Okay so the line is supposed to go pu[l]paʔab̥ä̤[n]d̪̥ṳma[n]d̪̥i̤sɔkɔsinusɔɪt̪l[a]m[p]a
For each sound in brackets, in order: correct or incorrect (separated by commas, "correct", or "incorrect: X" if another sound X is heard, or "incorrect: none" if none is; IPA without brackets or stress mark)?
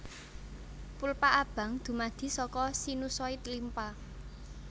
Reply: correct, incorrect: ŋ, incorrect: none, incorrect: i, correct